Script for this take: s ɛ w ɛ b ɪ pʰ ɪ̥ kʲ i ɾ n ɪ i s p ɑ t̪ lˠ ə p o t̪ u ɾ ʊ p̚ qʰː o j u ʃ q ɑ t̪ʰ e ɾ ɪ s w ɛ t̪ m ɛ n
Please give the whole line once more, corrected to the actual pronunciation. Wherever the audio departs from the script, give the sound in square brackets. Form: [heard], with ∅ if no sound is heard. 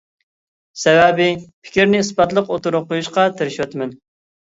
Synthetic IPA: s ɛ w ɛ b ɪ pʰ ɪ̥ kʲ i ɾ n ɪ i s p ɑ t̪ lˠ ə [q] o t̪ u ɾ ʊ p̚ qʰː o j u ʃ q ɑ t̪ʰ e ɾ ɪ [ʃ] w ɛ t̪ m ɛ n